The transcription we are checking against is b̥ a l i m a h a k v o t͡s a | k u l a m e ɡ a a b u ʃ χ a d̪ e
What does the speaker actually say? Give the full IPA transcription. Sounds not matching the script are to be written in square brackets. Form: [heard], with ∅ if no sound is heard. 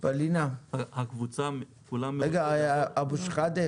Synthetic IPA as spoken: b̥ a l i [n] a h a k v [u] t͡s a | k u l a m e ɡ a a b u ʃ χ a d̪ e